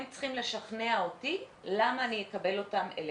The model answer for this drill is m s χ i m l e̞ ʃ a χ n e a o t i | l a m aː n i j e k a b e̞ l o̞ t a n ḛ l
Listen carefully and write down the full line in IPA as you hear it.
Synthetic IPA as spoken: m t͡s χ i m l e̞ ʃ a χ n e a o t i | l a m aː n i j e k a b e̞ l o̞ t a m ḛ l